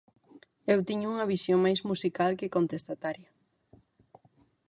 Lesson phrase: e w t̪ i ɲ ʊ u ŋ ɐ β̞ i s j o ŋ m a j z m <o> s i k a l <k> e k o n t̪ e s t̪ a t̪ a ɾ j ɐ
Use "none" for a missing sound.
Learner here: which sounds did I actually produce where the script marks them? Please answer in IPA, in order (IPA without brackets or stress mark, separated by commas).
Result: u, k